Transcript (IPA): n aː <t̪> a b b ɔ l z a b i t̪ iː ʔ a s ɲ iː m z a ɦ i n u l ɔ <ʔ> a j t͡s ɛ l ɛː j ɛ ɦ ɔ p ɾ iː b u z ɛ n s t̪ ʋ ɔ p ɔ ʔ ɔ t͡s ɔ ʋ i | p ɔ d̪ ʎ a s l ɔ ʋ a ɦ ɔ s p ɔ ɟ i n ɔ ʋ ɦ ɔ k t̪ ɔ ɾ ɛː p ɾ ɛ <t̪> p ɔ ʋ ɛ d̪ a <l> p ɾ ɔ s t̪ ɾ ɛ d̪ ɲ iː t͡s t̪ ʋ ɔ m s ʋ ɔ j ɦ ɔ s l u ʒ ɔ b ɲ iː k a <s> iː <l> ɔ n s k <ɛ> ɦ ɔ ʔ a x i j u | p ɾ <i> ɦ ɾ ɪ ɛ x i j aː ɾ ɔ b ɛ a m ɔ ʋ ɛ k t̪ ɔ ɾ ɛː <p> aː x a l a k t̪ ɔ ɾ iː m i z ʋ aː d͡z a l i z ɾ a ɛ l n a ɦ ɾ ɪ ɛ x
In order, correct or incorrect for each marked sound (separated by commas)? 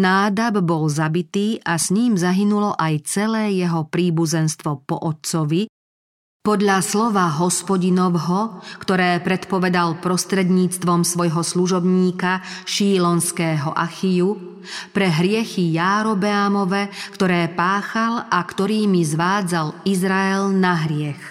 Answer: incorrect, correct, correct, correct, incorrect, correct, incorrect, incorrect, correct